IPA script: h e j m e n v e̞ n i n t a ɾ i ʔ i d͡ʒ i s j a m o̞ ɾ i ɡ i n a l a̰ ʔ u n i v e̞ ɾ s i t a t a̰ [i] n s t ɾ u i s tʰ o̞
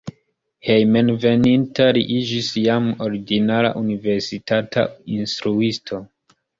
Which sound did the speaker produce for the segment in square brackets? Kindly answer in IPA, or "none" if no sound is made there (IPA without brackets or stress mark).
i